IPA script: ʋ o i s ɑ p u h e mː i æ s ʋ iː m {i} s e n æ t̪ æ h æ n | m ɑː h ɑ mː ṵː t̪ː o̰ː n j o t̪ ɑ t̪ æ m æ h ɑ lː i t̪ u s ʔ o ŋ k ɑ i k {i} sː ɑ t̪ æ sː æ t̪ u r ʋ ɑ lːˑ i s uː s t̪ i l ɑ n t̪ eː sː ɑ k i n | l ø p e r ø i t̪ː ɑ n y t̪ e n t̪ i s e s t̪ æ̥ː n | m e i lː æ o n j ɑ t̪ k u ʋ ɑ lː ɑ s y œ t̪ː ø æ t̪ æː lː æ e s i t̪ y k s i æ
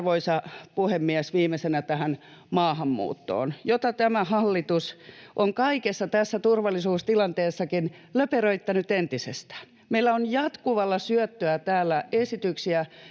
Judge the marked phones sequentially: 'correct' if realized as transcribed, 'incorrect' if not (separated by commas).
incorrect, incorrect